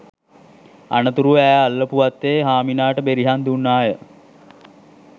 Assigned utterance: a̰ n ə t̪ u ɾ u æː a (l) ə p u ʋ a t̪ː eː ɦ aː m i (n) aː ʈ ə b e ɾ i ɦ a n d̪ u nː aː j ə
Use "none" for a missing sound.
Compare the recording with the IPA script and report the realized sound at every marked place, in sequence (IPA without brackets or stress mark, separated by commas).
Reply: lː, n